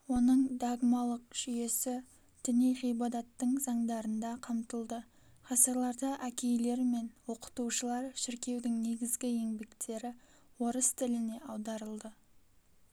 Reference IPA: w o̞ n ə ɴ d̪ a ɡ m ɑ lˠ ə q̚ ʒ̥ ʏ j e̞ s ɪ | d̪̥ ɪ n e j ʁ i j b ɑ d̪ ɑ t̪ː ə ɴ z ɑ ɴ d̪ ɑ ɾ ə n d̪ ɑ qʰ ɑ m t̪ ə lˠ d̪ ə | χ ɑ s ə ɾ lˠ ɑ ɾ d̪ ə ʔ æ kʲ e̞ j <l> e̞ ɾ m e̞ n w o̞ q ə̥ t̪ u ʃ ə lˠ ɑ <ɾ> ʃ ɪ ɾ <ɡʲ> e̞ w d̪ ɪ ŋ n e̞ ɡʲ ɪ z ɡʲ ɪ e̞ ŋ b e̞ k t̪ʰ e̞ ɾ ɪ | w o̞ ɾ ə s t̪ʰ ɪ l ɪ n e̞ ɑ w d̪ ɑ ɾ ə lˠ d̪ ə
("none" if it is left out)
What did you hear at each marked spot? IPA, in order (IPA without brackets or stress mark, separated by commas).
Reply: l, ɾ, kʲ